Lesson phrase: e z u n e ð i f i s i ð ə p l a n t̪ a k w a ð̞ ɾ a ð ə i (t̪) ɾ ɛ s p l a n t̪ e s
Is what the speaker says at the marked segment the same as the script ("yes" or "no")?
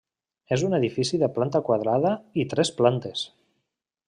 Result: yes